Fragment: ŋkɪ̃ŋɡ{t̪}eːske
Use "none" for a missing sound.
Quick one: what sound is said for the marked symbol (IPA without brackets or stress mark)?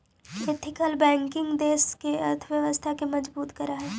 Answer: d̪